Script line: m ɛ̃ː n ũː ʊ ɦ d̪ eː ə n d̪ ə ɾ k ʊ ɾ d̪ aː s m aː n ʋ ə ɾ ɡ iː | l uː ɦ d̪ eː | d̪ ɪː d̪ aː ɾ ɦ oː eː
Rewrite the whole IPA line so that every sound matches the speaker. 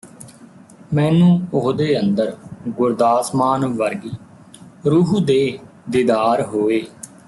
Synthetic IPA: m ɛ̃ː n ũː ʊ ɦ d̪ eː ə n d̪ ə ɾ ɡ ʊ ɾ d̪ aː s m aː n ʋ ə ɾ ɡ iː | ɾ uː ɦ d̪ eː | d̪ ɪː d̪ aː ɾ ɦ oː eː